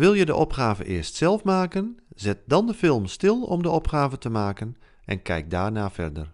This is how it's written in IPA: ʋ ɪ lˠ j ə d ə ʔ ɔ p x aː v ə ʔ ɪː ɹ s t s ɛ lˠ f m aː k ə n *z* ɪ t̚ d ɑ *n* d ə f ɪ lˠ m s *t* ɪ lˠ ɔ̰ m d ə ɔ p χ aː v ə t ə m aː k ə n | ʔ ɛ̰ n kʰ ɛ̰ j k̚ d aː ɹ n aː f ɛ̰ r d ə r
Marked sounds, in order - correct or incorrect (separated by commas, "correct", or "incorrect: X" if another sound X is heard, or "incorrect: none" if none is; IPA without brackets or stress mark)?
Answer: correct, correct, correct